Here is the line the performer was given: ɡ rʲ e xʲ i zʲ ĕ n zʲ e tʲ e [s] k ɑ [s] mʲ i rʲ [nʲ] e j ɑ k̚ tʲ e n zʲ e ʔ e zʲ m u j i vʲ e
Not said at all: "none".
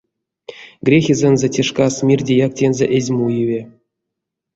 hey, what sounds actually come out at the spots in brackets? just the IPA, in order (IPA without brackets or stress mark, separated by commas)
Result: ʂ, s, dʲ